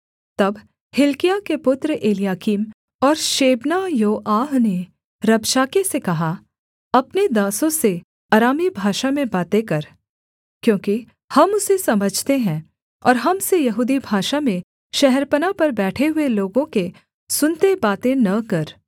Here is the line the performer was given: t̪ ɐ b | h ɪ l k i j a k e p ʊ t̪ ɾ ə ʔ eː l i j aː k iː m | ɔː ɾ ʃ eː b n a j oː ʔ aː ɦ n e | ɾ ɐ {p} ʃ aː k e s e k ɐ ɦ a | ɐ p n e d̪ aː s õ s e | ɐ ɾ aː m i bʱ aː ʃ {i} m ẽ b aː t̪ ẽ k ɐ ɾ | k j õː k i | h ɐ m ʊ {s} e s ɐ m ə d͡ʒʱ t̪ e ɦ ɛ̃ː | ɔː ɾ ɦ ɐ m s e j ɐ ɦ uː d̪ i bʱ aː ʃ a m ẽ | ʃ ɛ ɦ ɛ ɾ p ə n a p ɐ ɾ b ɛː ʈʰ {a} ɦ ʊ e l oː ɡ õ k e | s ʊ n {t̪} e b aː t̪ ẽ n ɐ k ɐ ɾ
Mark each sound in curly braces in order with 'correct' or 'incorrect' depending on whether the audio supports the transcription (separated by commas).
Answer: incorrect, incorrect, correct, incorrect, correct